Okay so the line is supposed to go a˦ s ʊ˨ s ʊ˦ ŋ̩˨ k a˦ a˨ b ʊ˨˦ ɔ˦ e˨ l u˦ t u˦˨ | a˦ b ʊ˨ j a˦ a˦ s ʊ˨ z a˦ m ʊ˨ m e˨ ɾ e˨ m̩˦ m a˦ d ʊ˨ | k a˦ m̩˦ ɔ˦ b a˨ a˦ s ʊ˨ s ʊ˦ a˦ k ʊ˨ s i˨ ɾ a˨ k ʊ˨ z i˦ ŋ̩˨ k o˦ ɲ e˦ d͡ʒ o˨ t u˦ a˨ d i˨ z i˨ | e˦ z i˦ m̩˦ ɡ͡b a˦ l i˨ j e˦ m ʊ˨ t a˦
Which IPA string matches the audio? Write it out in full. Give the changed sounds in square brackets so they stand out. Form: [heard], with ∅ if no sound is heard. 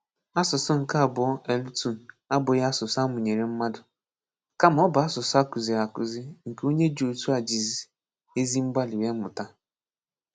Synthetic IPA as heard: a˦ s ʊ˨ s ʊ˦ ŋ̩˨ k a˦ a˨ b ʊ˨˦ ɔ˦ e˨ l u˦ t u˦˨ | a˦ b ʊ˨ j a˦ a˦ s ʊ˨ [s] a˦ m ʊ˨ [ɲ] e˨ ɾ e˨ m̩˦ m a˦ d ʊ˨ | k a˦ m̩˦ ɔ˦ b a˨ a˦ s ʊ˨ s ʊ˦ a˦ k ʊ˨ [z] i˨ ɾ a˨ k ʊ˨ z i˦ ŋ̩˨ k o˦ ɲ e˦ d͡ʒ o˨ t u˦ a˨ [d͡ʒ] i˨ z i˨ | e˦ z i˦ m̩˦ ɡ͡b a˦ l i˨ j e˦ m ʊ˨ t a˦